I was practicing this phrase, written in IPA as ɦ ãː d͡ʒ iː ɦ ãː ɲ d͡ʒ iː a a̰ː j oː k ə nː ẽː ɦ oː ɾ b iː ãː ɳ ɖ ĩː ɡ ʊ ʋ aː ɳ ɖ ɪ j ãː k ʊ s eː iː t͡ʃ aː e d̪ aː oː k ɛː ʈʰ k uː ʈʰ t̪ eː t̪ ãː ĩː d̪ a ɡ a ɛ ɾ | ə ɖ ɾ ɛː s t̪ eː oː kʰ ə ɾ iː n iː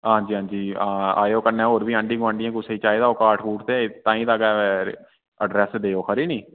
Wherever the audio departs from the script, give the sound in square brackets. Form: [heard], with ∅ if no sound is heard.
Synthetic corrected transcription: ɦ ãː d͡ʒ iː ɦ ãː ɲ d͡ʒ iː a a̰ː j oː k ə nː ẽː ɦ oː ɾ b iː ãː ɳ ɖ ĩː ɡ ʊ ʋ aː ɳ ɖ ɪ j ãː k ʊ s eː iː t͡ʃ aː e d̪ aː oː k [aː] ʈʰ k uː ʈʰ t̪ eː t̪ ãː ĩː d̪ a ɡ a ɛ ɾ | ə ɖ ɾ ɛː s [d̪] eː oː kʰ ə ɾ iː n iː

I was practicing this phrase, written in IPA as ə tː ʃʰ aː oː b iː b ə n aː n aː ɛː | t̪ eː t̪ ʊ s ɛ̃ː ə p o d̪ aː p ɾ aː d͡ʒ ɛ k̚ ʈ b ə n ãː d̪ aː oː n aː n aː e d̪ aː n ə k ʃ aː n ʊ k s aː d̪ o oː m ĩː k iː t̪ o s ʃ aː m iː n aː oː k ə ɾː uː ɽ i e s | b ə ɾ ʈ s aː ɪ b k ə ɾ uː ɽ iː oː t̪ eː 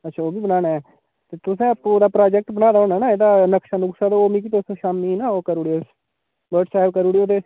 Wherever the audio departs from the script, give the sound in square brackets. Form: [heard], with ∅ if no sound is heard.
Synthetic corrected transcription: ə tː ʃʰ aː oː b iː b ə n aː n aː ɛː | t̪ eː t̪ ʊ s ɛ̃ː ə p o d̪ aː p ɾ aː d͡ʒ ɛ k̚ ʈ b ə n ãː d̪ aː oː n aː n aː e d̪ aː n ə k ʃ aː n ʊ k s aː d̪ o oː m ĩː k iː t̪ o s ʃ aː m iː n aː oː k ə [ɾ] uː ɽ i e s | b ə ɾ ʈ s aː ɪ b k ə ɾ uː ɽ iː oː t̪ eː

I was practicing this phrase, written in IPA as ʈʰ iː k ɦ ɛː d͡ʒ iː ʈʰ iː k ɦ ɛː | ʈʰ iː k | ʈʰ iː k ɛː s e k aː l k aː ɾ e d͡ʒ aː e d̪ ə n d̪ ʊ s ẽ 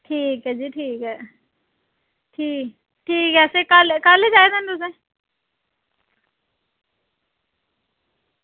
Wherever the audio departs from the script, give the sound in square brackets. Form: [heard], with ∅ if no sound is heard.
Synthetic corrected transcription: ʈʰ iː k ɦ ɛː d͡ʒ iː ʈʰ iː k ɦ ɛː | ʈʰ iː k | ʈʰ iː k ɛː s e k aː l k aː [l] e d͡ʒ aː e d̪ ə n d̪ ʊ s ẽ

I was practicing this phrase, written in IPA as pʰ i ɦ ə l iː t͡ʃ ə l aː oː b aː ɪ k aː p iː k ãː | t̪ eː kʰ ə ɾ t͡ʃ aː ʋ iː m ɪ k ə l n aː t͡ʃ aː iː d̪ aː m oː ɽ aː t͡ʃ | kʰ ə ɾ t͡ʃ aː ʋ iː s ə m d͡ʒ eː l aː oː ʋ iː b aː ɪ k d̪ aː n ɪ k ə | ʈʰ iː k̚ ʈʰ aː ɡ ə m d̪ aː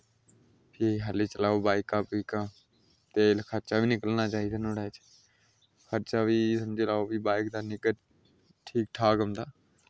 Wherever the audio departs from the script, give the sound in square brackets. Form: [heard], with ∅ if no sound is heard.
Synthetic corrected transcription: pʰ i ɦ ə l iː t͡ʃ ə l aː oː b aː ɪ k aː p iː k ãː | t̪ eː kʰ ə ɾ t͡ʃ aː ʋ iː [n] ɪ k ə l n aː t͡ʃ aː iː d̪ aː [n] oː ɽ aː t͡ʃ | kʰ ə ɾ t͡ʃ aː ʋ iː s ə m d͡ʒ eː l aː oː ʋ iː b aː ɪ k d̪ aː n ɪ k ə | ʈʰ iː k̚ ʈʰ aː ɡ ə m d̪ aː

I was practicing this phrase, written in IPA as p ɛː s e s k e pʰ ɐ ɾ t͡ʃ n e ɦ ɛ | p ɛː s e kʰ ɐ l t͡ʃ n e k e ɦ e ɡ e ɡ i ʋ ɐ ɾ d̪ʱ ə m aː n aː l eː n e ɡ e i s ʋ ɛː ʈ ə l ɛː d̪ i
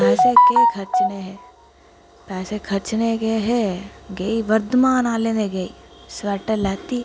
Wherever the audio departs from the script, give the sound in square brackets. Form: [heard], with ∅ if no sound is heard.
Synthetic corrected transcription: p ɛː s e [∅] k e [kʰ] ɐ ɾ t͡ʃ n e ɦ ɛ | p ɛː s e kʰ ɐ [ɾ] t͡ʃ n e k e ɦ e ɡ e [∅] i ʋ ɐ ɾ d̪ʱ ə m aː n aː l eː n e ɡ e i s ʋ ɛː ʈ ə l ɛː [t̪] i

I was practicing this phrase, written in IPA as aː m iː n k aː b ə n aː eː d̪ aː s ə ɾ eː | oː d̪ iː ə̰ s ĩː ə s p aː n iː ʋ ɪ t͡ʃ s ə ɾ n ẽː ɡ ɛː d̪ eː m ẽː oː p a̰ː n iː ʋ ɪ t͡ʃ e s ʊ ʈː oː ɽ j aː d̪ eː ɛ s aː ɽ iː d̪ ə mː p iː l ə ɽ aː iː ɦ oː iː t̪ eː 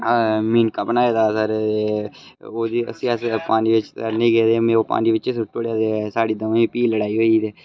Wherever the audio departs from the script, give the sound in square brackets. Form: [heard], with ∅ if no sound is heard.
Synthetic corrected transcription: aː m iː n k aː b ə n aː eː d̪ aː s ə ɾ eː | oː d̪ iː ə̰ s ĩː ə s p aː n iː ʋ ɪ t͡ʃ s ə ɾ n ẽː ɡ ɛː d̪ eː m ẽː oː p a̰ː n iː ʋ ɪ t͡ʃ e s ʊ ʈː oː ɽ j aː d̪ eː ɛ s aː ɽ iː d̪ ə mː p iː l ə ɽ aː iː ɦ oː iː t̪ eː

